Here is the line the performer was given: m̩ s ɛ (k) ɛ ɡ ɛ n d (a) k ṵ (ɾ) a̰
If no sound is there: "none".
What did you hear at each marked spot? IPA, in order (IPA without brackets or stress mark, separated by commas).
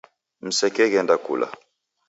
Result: k, a, l